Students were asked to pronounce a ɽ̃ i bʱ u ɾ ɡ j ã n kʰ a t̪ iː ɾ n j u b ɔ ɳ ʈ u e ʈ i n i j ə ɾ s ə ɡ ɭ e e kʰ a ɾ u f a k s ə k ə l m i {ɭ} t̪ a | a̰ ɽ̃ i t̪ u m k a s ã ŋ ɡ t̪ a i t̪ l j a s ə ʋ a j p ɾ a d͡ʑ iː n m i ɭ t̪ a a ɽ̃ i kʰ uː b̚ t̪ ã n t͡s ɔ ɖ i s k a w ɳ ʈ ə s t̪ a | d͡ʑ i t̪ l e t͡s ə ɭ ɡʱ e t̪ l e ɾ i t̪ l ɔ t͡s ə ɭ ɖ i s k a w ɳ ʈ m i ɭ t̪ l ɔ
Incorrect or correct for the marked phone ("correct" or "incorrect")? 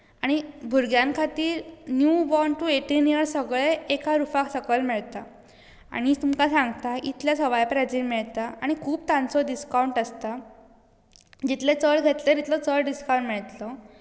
correct